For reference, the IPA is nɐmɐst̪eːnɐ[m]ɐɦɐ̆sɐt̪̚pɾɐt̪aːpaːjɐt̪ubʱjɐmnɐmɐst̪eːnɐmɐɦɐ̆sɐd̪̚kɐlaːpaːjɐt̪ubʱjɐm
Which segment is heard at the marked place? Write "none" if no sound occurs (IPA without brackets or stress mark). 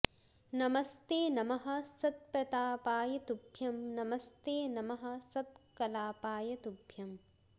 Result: m